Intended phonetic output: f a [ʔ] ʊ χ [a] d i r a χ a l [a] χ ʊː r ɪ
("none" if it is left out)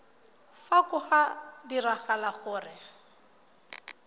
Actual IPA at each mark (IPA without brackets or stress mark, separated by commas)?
k, a, a